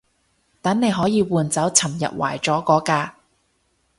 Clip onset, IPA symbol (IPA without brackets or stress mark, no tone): t̪